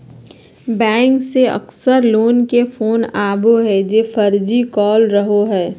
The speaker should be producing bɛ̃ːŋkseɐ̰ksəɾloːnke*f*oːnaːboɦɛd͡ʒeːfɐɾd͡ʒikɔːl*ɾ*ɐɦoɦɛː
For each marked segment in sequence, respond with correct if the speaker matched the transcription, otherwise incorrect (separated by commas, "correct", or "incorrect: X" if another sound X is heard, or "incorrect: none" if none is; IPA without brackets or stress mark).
correct, correct